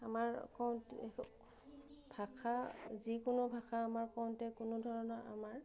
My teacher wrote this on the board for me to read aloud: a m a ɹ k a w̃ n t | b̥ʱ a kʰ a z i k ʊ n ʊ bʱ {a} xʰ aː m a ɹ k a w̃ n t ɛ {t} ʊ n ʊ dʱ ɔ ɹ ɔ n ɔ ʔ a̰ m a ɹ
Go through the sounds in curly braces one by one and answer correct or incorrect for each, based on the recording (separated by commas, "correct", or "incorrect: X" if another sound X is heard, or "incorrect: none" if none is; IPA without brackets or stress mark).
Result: correct, incorrect: k